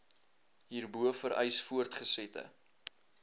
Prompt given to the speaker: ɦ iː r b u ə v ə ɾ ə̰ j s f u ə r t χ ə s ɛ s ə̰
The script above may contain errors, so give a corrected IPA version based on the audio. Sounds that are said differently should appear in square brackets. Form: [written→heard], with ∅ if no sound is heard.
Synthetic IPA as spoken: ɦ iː r b u ə [v→f] ə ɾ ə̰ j s f u ə r t χ ə s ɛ [s→t] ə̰